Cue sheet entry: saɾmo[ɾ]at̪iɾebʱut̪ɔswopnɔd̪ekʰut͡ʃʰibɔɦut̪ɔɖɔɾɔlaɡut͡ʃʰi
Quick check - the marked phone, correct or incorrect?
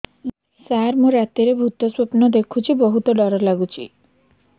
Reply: correct